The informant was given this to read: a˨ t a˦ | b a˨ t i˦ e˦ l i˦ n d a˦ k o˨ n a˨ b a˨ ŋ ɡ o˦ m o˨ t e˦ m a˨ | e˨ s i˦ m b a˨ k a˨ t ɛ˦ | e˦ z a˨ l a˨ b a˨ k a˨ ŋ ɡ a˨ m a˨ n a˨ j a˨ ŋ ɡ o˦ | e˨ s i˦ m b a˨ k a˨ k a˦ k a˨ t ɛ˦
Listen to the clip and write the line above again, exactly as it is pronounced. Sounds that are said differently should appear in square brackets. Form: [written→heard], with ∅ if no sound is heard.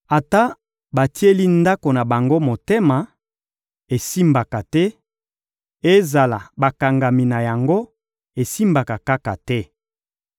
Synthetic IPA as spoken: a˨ t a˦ | b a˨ t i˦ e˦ l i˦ n d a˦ k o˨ n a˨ b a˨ ŋ ɡ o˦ m o˨ t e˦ m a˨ | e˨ s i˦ m b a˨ k a˨ t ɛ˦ | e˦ z a˨ l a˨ b a˨ k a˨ ŋ ɡ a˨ m [a˨→i˨] n a˨ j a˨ ŋ ɡ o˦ | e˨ s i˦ m b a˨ k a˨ k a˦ k a˨ t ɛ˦